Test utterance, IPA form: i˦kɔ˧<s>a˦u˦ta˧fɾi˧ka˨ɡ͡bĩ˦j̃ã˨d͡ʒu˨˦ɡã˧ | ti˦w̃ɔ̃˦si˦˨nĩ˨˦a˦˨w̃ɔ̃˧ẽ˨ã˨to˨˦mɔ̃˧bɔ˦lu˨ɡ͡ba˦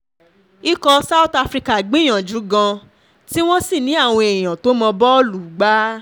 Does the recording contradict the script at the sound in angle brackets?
no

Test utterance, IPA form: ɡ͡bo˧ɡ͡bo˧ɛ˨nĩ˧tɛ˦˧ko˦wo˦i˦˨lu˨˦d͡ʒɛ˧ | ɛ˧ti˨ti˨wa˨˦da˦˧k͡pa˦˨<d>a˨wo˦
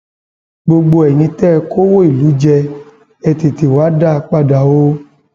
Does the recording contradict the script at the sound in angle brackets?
no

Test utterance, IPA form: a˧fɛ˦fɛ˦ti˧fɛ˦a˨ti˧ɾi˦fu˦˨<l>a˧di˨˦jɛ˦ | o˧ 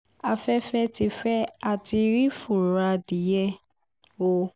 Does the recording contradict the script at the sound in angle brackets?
yes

